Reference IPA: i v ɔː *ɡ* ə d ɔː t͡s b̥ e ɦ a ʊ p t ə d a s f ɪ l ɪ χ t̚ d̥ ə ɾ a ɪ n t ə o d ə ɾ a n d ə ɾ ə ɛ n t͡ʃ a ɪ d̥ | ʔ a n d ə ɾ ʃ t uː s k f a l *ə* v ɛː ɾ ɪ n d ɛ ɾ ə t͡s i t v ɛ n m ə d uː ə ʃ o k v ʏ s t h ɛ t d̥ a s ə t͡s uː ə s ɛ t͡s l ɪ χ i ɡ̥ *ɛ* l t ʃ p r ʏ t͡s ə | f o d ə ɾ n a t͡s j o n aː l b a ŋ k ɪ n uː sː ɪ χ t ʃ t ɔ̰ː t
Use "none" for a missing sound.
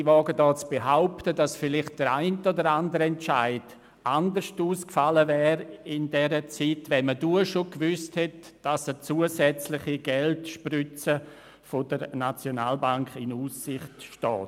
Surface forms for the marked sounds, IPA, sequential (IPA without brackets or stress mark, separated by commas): ɡ, ə, ɛ